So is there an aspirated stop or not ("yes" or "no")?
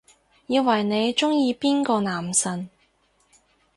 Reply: no